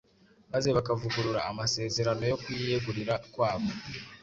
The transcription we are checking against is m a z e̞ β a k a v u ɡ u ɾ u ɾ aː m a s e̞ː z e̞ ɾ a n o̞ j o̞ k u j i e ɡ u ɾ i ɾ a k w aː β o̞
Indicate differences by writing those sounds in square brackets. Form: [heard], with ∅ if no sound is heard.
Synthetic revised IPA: m a z e̞ β a k a v u ɡ u ɾ u ɾ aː m a s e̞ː z e̞ ɾ a n o̞ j o̞ k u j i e ɡ u ɾ i ɾ a k w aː β o̞